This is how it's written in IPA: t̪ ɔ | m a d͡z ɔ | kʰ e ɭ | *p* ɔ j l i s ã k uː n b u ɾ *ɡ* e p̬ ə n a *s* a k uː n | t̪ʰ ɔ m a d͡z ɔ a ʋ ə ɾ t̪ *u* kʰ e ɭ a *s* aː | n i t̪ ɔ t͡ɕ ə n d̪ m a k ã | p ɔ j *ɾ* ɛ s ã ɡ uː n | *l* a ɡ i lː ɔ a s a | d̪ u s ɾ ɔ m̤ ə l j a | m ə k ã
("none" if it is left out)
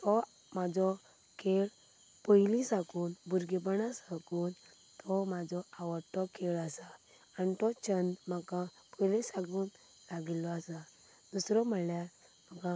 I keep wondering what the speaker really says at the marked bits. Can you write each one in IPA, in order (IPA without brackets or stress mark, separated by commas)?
p, ɡ, s, ɔ, s, l, l